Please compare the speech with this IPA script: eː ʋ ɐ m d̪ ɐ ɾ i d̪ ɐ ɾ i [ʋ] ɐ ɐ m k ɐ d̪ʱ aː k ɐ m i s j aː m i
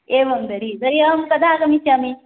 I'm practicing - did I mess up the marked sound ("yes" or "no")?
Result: yes